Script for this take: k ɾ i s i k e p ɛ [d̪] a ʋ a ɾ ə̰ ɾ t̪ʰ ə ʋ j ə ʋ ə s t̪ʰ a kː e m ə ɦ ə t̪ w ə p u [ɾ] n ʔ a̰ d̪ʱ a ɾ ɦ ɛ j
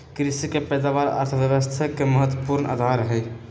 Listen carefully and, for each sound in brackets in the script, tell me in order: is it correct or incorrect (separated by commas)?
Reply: correct, correct